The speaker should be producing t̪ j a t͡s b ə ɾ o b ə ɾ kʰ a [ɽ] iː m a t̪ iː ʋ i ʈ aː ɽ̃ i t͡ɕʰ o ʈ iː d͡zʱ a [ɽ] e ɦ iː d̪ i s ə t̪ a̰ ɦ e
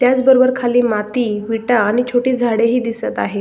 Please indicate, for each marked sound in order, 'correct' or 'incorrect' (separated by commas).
incorrect, correct